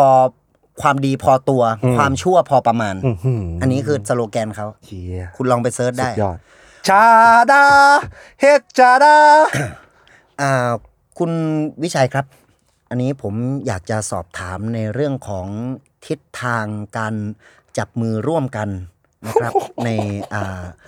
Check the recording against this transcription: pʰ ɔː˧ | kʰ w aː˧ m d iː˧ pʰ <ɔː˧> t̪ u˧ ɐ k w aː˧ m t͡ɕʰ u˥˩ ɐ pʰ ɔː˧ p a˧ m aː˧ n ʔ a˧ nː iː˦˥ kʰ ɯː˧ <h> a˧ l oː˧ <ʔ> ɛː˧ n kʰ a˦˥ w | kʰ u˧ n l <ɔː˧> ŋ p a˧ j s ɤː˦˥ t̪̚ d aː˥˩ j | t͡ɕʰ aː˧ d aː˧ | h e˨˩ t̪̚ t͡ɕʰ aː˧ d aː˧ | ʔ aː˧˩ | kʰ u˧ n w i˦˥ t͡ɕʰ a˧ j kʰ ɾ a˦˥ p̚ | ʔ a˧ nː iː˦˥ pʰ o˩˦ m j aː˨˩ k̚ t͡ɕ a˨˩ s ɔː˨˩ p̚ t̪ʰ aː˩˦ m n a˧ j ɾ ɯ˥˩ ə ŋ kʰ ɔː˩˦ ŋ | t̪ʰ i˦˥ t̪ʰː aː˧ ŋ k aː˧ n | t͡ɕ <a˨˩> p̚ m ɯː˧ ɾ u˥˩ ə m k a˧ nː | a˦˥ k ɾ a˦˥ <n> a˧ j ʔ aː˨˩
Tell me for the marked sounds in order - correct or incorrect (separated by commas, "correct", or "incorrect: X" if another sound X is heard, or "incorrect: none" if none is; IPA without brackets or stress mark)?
correct, incorrect: s, incorrect: k, correct, correct, correct